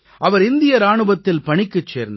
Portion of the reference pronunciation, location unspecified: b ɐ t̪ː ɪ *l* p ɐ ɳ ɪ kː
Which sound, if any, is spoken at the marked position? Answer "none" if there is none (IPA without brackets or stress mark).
l